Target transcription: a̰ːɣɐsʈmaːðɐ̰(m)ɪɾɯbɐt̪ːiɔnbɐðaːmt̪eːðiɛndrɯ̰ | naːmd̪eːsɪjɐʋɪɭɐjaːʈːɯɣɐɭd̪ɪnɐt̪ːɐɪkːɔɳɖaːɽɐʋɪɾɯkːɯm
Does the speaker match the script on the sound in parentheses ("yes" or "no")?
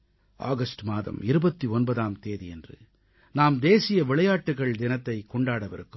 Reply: yes